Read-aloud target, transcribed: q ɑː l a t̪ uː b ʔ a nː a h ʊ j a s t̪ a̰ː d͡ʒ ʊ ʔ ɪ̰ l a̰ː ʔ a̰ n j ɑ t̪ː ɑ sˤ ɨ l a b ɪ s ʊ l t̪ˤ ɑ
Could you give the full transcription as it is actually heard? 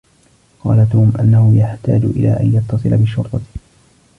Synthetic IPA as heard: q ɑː l a t̪ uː m ʔ a nː a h ʊ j a ħ t̪ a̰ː d͡ʒ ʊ ʔ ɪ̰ l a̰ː ʔ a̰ n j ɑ t̪ː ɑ sˤ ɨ l a b ɪ ʃ ʊ ɾ t̪ˤ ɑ